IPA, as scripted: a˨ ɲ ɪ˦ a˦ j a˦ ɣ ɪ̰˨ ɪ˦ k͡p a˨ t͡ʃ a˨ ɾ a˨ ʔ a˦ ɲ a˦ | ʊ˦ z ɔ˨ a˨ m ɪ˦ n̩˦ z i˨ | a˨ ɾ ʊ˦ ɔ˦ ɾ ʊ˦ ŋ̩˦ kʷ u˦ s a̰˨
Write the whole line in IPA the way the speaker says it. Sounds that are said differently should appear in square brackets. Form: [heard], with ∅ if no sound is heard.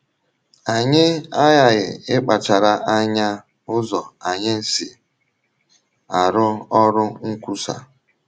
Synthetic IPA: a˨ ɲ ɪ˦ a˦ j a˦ ɣ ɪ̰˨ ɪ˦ k͡p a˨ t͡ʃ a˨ ɾ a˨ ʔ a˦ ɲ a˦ | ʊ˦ z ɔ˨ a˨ [ɲ] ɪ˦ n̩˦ [s] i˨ | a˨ ɾ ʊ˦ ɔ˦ ɾ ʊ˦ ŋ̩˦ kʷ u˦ s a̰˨